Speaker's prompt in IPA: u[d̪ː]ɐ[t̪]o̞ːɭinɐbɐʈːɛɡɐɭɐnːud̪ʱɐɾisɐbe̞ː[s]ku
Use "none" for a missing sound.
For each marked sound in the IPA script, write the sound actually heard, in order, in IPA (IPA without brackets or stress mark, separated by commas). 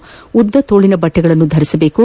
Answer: d̪ː, t̪, none